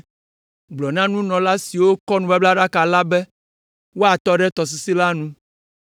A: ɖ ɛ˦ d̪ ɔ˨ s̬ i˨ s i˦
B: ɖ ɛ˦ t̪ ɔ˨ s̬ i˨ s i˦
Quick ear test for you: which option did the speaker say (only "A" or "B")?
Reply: B